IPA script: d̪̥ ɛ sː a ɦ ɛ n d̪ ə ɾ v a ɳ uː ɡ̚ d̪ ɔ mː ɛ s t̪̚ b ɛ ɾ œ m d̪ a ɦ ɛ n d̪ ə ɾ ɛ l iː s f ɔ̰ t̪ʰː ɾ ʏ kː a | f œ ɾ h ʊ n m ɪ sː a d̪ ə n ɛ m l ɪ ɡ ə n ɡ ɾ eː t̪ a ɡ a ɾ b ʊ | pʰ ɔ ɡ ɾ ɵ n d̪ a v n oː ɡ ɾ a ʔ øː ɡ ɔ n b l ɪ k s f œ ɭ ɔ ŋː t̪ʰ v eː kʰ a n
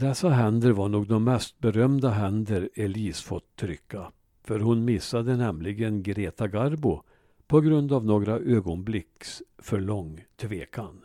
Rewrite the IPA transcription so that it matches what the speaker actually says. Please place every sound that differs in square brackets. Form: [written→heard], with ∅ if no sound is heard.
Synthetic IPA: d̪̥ ɛ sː a ɦ ɛ n d̪ ə ɾ v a ɳ uː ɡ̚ d̪ ɔ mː ɛ s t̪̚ b ɛ ɾ œ m d̪ a ɦ ɛ n d̪ ə ɾ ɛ l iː s f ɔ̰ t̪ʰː ɾ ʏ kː a | f œ ɾ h ʊ n m ɪ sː a d̪ ə n ɛ m l ɪ ɡ ə n ɡ ɾ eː t̪ a ɡ a ɾ b ʊ | pʰ ɔ ɡ ɾ ɵ n d̪ a v n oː ɡ ɾ a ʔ øː ɡ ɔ n b l ɪ k s f œ ɭ ɔ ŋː t̪ʰ v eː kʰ a n